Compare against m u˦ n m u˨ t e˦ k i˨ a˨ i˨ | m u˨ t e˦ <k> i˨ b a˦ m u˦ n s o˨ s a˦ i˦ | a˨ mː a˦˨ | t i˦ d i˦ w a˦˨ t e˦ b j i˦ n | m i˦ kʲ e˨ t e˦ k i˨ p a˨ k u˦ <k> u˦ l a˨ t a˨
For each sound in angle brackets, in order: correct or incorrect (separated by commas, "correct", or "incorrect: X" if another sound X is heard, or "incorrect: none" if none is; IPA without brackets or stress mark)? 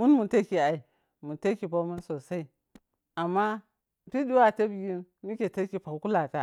correct, correct